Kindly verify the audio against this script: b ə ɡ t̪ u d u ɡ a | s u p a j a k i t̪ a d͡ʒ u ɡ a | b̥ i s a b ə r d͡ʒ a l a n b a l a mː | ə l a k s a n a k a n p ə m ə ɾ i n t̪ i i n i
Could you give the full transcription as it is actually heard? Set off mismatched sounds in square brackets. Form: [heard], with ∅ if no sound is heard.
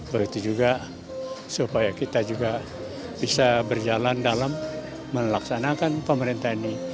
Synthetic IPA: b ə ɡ t̪ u [d͡ʒ] u ɡ a | s u p a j a k i t̪ a d͡ʒ u ɡ a | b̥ i s a b ə r d͡ʒ a l a n [d] a l a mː | ə l a k s a n a k a n p ə m ə ɾ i n t̪ [a] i n i